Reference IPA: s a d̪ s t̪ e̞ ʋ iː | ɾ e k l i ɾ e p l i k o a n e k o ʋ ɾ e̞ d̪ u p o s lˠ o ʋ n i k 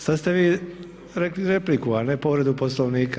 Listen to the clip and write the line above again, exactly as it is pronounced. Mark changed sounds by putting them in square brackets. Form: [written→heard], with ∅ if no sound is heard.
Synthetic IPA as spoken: s a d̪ s t̪ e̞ ʋ iː | ɾ e k l i ɾ e p l i k [o→u] a n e [k→p] o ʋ ɾ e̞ d̪ u p o s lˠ o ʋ n [i→iː] k

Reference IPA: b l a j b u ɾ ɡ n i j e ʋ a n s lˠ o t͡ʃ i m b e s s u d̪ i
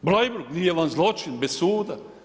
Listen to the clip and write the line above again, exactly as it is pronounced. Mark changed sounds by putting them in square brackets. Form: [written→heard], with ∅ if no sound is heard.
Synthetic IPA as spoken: b l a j b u ɾ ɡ n i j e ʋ a n [s→z] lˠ o t͡ʃ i [m→n] b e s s [u→uː] d̪ [i→a]

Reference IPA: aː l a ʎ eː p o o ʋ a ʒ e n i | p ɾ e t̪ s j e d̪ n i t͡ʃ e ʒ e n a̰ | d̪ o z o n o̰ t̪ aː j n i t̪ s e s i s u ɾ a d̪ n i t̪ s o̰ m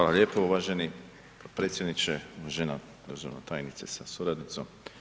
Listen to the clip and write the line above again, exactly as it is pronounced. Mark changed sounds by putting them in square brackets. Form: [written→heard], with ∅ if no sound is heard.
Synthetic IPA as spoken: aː l a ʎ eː p o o ʋ a ʒ e n i | p ɾ e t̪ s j e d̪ n i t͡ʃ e ʒ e n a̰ | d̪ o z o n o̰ t̪ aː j n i t̪ s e s [i→a] s u ɾ a d̪ n i t̪ s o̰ m

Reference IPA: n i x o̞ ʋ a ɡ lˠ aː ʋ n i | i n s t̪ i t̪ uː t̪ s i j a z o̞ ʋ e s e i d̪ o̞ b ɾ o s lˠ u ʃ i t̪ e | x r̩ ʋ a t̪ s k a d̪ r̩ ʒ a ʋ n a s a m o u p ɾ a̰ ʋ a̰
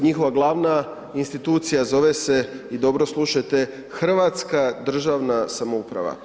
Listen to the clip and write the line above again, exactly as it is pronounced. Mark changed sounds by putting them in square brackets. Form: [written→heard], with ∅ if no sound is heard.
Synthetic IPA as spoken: [n→ɲ] i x o̞ ʋ a ɡ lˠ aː ʋ n [i→a] | i n s t̪ i t̪ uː t̪ s i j a z o̞ ʋ e s e i d̪ o̞ b ɾ o s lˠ u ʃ [i→a] t̪ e | x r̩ ʋ a t̪ s k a d̪ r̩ ʒ a ʋ n a s a m o u p ɾ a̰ ʋ a̰

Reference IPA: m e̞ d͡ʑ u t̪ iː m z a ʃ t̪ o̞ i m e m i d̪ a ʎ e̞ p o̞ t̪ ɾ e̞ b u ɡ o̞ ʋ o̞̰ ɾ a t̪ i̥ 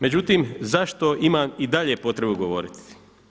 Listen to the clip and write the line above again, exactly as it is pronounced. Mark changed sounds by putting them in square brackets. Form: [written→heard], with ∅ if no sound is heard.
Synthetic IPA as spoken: m e̞ d͡ʑ u t̪ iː m z a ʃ t̪ o̞ i m [e→a] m i d̪ a ʎ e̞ p o̞ t̪ ɾ e̞ b u ɡ o̞ ʋ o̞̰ ɾ [a→i] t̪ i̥

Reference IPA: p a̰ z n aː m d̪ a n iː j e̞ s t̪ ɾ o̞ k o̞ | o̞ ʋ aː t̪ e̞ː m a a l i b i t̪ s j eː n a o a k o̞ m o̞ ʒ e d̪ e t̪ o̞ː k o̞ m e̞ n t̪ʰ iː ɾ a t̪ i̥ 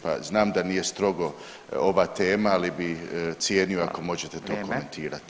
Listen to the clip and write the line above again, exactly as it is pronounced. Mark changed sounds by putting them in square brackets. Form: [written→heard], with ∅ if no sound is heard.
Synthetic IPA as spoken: p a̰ z n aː m d̪ a n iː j e̞ s t̪ ɾ o̞ [k→ɡ] o̞ | o̞ ʋ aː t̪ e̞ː m a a l i b i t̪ s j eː n [a→i] o a k o̞ m o̞ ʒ e [d̪→t̪] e t̪ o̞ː k o̞ m e̞ n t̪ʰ iː ɾ a t̪ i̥

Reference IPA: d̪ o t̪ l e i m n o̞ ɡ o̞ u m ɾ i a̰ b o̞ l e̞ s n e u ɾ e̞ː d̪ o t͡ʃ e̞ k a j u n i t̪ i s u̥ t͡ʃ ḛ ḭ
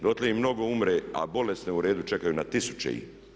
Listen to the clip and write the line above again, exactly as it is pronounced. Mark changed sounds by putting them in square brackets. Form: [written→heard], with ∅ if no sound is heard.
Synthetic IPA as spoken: d̪ o t̪ l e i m n o̞ ɡ o̞ u m ɾ [i→e] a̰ b o̞ l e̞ s n e u ɾ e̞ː d̪ [o→u] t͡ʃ e̞ k a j u n [i→a] t̪ i s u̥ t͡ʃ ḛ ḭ

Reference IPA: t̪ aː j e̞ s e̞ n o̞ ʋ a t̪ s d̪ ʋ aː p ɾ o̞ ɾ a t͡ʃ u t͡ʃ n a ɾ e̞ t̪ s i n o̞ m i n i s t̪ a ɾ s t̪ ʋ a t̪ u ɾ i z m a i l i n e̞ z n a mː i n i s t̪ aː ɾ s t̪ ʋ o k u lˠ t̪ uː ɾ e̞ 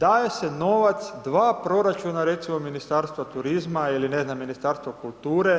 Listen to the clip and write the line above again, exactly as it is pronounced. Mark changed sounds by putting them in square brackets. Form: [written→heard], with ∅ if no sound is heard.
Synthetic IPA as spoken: [t̪→d̪] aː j e̞ s e̞ n o̞ ʋ a t̪ s d̪ ʋ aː p ɾ o̞ ɾ a t͡ʃ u [t͡ʃ→∅] n a ɾ e̞ t̪ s i [n→m] o̞ m i n i s t̪ a ɾ s t̪ ʋ a t̪ u ɾ i z m a i l i n e̞ z n a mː i n i s t̪ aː ɾ s t̪ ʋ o k u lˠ t̪ uː ɾ e̞

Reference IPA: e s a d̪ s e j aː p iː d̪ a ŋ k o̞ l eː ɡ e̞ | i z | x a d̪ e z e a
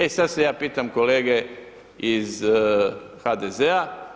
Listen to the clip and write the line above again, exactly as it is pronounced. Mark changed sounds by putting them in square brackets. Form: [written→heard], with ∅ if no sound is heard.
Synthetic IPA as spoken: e s a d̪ s e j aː p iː [d̪→t̪] a [ŋ→m] k o̞ l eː ɡ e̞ | i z | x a d̪ e z e a

